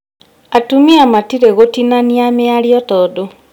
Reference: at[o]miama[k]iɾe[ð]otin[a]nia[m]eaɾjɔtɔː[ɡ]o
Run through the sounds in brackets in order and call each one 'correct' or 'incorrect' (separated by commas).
incorrect, incorrect, incorrect, correct, correct, incorrect